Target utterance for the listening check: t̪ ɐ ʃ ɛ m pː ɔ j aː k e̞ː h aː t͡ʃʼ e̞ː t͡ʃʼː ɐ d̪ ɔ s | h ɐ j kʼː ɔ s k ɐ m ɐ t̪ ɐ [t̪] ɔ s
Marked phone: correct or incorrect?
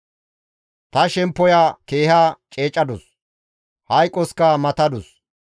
incorrect